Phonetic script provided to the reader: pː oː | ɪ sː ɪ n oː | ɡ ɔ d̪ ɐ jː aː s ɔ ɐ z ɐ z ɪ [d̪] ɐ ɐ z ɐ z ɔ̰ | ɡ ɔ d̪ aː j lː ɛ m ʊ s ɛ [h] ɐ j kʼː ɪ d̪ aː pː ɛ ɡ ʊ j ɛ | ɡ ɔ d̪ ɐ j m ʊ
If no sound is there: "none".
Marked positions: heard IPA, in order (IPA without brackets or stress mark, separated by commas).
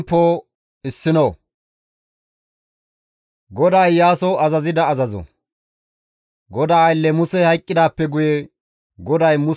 d̪, h